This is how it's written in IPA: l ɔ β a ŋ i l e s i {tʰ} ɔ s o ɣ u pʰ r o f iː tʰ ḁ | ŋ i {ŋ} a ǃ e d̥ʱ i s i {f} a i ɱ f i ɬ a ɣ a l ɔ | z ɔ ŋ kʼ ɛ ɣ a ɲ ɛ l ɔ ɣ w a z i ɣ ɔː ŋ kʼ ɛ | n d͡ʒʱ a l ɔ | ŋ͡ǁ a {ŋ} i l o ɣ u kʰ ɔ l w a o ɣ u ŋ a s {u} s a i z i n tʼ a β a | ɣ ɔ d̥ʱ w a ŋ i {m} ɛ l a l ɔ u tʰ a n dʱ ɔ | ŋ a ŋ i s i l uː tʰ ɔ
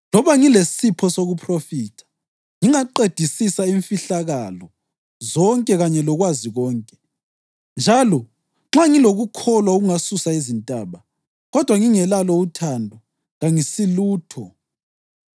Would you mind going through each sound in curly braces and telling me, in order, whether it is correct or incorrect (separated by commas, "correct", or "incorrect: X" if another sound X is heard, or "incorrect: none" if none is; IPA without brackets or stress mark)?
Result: incorrect: pʰ, correct, incorrect: s, correct, correct, incorrect: ŋ